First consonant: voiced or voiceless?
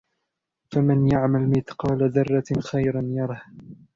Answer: voiceless